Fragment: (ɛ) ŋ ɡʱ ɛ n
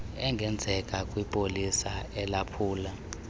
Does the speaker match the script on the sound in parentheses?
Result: yes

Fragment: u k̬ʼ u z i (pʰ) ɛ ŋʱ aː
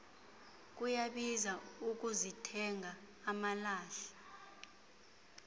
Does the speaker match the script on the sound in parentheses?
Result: no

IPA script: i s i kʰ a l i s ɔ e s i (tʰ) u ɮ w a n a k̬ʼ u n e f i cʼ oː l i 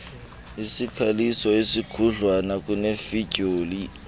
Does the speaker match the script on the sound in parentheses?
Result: no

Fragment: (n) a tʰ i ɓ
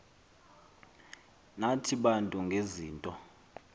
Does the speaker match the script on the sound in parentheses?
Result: yes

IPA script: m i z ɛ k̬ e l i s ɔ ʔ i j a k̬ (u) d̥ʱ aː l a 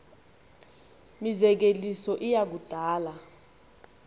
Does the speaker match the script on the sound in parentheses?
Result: yes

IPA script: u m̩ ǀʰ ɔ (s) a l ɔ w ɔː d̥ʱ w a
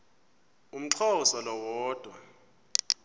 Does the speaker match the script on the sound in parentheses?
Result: yes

